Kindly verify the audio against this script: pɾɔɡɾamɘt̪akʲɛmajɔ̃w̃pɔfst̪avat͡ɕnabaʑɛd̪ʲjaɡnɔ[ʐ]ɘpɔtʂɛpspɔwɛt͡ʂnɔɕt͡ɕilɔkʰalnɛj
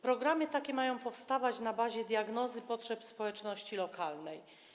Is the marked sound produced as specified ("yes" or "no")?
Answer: no